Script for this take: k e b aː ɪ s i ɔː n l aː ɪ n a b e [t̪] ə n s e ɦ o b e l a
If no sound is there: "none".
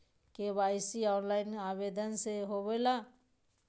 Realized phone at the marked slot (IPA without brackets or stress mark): d̪